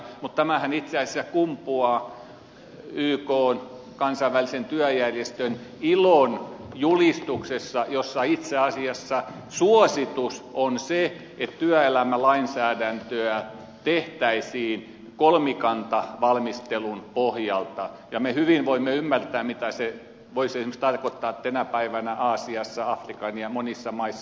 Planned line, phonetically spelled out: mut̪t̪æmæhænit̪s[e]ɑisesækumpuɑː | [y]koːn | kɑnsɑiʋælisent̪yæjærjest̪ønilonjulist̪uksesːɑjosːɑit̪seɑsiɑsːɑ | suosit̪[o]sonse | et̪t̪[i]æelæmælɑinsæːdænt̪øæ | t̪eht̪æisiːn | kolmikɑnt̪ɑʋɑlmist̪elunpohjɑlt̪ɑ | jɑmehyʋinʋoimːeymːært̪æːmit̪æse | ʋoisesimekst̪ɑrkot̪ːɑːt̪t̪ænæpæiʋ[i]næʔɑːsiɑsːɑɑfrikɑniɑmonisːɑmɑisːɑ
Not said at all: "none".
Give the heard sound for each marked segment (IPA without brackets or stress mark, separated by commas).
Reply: e, yː, u, y, æ